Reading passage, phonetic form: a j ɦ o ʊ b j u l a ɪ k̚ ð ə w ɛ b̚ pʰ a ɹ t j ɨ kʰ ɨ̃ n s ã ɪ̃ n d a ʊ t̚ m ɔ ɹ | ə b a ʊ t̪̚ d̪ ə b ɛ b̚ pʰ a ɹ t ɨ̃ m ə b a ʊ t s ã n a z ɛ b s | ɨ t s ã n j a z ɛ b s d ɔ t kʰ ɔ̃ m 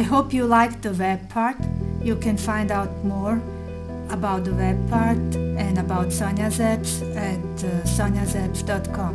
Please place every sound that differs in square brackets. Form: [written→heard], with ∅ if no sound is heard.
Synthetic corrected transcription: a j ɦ o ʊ [b→p] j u l a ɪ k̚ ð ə w ɛ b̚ pʰ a ɹ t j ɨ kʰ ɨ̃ n [s→f] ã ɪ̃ n d a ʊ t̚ m ɔ ɹ | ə b a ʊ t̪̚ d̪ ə [b→w] ɛ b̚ pʰ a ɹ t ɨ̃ [m→n] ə b a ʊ t s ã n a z ɛ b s | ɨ t s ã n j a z ɛ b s d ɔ t kʰ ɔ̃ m

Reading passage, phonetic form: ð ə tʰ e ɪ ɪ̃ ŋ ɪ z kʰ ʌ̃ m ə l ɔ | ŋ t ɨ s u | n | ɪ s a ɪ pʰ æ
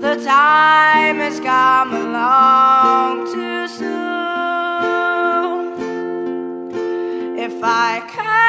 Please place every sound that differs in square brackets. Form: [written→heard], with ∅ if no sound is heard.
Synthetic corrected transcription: ð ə tʰ [e→a] ɪ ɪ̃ [ŋ→m] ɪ z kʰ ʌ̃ m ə l ɔ | ŋ [t→tʰ] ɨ s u | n | ɪ [s→f] a ɪ [pʰ→kʰ] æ

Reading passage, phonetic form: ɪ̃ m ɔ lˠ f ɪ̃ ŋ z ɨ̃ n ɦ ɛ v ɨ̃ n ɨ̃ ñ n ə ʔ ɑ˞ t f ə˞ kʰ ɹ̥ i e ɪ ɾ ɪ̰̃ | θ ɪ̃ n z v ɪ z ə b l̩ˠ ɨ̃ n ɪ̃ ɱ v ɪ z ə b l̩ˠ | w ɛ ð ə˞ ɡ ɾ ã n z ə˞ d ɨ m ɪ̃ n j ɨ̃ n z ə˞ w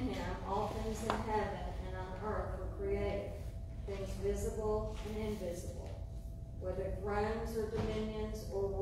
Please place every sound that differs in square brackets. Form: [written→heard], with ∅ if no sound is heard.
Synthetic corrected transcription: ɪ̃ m ɔ lˠ [f→θ] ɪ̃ ŋ z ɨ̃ n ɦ ɛ v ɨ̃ n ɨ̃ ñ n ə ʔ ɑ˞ t f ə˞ kʰ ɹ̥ i e ɪ ɾ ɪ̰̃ | θ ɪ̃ [n→ŋ] z v ɪ z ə b l̩ˠ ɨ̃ n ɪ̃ ɱ v ɪ z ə b l̩ˠ | w ɛ ð ə˞ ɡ [ɾ→ɹ] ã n z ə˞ d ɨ m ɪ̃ n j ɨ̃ n z ə˞ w

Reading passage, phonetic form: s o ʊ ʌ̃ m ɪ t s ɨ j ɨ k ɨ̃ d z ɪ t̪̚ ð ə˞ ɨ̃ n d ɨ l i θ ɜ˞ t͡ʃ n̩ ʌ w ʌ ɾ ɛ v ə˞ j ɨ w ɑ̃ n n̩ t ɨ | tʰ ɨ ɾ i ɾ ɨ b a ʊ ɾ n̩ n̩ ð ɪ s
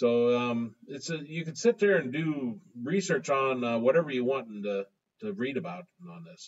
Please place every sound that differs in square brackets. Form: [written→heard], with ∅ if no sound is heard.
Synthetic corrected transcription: s o ʊ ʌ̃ m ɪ t s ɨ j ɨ k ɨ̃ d [z→s] ɪ t̪̚ ð ə˞ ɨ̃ n d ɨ [l→ɹ] i [θ→s] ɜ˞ t͡ʃ n̩ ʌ w ʌ ɾ ɛ v ə˞ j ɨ w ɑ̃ n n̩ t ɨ | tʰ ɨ [ɾ→ɹ] i ɾ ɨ b a ʊ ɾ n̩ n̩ ð ɪ s

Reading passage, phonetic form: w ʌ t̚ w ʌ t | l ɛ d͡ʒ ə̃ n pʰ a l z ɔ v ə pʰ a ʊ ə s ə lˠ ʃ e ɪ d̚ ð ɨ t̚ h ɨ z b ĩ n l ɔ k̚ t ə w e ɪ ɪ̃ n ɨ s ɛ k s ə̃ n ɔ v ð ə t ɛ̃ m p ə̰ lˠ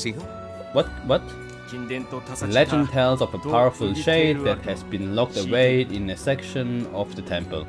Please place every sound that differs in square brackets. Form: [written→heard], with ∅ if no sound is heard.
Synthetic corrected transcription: w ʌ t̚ w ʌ t | l ɛ d͡ʒ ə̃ n [pʰ→tʰ] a l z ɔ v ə pʰ a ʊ ə [s→f] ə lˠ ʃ e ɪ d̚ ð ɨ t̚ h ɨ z b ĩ n l ɔ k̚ t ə w e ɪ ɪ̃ n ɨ s ɛ k [s→ʃ] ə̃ n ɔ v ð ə [t→tʰ] ɛ̃ m p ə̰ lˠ

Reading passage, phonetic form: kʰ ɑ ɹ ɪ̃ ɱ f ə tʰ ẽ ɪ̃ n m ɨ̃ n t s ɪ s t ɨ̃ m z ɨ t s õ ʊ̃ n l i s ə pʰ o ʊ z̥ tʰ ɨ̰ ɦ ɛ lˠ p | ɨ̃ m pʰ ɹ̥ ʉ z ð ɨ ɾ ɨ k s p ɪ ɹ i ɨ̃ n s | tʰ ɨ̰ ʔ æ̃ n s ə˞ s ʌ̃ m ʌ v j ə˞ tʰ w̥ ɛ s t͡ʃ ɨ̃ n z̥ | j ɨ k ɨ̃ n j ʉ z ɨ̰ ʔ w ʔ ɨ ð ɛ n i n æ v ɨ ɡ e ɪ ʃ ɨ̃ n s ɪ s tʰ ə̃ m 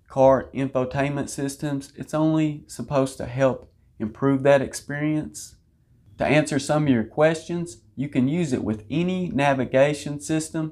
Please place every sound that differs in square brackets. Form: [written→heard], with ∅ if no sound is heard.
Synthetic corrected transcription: kʰ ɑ ɹ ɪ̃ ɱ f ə tʰ ẽ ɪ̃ n m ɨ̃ n t s ɪ s t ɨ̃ m z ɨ t s õ ʊ̃ n l i s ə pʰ o ʊ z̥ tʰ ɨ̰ ɦ ɛ lˠ p | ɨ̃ m pʰ ɹ̥ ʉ [z→v] ð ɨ ɾ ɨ k s p ɪ ɹ i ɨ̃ n s | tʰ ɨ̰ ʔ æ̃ n s ə˞ s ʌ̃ m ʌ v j ə˞ [tʰ→kʰ] w̥ ɛ s t͡ʃ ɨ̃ n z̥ | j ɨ k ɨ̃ n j ʉ z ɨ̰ ʔ w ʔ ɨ ð ɛ n i n æ v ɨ ɡ e ɪ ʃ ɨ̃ n s ɪ s [tʰ→t] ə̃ m

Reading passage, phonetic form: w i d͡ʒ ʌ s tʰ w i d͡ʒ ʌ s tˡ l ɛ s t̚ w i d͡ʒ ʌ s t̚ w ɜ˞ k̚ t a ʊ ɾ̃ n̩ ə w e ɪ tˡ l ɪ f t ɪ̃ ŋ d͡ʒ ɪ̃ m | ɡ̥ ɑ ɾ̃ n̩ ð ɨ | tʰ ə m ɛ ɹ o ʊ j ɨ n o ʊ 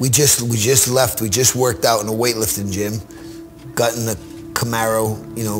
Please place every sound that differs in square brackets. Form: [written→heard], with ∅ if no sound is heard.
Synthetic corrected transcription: w i d͡ʒ ʌ s [tʰ→t] w i d͡ʒ ʌ s tˡ l ɛ [s→f] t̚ w i d͡ʒ ʌ s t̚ w ɜ˞ k̚ t a ʊ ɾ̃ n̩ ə w e ɪ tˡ l ɪ f t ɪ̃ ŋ d͡ʒ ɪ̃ m | ɡ̥ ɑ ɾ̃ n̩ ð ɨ | [tʰ→kʰ] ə m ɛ ɹ o ʊ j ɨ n o ʊ

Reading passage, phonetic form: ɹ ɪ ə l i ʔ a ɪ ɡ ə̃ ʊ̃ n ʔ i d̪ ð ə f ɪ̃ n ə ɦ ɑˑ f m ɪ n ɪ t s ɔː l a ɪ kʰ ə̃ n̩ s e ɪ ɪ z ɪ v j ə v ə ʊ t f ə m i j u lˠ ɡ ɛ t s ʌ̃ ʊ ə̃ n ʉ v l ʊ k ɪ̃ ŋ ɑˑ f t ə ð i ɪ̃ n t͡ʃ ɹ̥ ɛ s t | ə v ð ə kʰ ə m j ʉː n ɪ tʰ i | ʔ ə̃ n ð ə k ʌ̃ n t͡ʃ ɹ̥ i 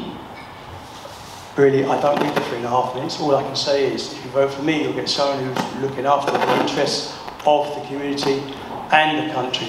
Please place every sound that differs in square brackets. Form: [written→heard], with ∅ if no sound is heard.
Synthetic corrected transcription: ɹ ɪ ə l i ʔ a ɪ [ɡ→d] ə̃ ʊ̃ n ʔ i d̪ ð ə f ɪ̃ n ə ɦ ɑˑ f m ɪ n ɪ t s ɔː l a ɪ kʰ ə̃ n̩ s e ɪ ɪ z ɪ [v→f] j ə v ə ʊ t f ə m i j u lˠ ɡ ɛ t s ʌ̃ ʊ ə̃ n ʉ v l ʊ k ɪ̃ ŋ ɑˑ f t ə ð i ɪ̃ n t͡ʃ ɹ̥ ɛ s t | ə v ð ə kʰ ə m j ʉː n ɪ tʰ i | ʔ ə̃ n ð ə [k→kʰ] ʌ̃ n t͡ʃ ɹ̥ i

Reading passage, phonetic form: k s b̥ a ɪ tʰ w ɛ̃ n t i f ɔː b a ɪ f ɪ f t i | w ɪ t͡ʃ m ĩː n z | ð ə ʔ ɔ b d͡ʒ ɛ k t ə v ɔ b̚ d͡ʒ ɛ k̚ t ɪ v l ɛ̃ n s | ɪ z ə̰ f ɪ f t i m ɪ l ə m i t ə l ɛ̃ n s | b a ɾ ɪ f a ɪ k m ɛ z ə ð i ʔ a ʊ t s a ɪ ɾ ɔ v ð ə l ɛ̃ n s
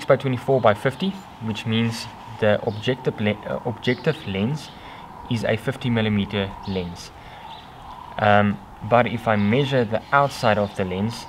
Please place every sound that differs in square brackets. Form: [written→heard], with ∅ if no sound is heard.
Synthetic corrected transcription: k s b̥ a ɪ tʰ w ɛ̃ n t i f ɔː b a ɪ f ɪ f t i | w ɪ t͡ʃ m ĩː n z | ð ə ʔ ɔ b d͡ʒ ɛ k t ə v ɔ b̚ d͡ʒ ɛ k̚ t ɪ v l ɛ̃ n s | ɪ z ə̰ f ɪ f t i m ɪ l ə m i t ə l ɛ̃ n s | b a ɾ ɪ f a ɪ [k→∅] m ɛ [z→ʒ] ə ð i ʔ a ʊ t s a ɪ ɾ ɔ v ð ə l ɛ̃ n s

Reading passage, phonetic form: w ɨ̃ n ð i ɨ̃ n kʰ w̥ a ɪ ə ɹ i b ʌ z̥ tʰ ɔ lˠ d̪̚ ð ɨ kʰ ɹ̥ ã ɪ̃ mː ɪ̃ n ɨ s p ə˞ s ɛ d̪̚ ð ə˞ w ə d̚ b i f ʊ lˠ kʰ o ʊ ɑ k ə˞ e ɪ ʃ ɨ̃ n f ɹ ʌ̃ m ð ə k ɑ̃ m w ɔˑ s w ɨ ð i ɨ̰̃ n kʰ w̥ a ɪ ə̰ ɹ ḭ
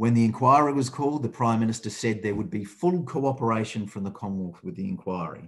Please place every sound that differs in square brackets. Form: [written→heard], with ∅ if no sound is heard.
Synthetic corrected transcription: w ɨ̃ n ð i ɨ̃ n kʰ w̥ a ɪ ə ɹ i [b→w] ʌ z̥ [tʰ→kʰ] ɔ lˠ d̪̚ ð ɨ [kʰ→pʰ] ɹ̥ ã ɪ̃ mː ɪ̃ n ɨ s [p→t] ə˞ s ɛ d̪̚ ð ə˞ w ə d̚ b i f ʊ lˠ kʰ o ʊ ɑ [k→p] ə˞ e ɪ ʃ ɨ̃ n f ɹ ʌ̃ m ð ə [k→kʰ] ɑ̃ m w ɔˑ [s→θ] w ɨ ð i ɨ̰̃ n kʰ w̥ a ɪ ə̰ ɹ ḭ

